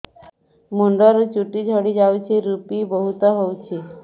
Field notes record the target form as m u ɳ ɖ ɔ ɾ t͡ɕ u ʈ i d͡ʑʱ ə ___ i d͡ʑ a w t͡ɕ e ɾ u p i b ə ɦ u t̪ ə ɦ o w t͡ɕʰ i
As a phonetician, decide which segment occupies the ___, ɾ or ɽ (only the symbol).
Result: ɽ